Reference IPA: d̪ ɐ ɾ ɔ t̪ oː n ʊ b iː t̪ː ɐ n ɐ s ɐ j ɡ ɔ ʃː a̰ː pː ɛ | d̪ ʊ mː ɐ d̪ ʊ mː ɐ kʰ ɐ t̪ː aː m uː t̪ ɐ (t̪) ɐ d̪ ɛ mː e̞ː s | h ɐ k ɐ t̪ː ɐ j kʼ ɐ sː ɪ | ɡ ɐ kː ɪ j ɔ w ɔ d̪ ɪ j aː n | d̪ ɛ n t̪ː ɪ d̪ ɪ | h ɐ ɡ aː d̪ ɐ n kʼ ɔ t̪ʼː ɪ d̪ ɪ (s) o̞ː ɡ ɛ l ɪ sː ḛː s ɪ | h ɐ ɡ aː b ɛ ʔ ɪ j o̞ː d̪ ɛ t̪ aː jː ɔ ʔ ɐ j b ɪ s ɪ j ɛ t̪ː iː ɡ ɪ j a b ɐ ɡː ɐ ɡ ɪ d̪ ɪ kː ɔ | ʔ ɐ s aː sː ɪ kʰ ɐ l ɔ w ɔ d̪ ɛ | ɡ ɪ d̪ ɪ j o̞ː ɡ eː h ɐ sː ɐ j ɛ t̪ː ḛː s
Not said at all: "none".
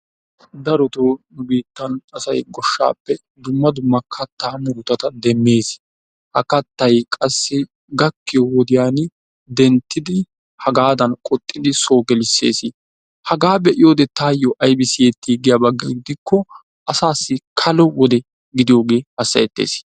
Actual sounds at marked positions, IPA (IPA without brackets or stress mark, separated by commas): t̪, s